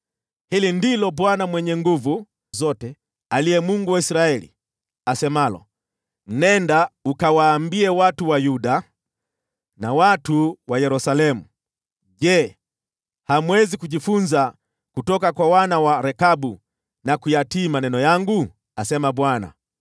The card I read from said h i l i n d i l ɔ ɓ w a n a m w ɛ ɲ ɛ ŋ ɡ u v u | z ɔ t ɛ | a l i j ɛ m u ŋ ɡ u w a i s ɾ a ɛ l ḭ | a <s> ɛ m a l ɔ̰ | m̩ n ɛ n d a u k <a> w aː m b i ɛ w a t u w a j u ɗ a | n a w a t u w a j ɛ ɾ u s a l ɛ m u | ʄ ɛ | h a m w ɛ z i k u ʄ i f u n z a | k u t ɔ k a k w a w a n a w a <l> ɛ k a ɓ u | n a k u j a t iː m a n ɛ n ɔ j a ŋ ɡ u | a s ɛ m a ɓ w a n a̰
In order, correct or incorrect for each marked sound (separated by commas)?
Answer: correct, correct, incorrect